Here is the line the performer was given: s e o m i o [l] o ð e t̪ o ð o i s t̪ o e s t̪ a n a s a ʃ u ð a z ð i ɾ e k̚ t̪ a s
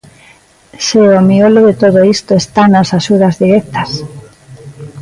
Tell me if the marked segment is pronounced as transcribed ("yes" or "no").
yes